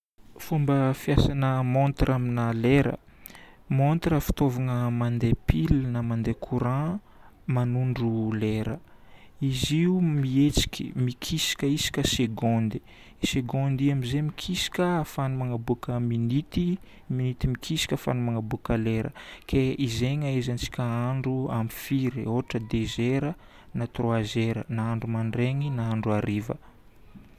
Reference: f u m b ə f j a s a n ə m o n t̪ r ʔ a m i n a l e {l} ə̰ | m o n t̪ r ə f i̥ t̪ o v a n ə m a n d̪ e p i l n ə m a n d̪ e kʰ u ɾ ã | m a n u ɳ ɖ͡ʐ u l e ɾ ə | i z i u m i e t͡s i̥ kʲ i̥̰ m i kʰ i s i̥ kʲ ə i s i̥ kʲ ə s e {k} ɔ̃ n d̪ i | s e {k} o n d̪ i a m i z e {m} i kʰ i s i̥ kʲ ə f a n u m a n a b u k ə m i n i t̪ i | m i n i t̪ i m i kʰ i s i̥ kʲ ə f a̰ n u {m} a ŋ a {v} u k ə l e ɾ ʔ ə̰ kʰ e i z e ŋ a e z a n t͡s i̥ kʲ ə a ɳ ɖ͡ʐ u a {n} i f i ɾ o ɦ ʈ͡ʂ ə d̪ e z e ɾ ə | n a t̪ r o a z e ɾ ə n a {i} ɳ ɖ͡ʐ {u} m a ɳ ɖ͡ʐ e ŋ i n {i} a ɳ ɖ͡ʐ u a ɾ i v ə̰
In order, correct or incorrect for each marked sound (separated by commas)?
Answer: incorrect, incorrect, incorrect, correct, correct, incorrect, incorrect, incorrect, correct, incorrect